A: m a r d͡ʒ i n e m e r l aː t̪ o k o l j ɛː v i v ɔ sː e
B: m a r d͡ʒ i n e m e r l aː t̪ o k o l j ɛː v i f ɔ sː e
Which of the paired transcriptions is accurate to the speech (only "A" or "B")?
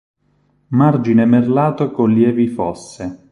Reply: B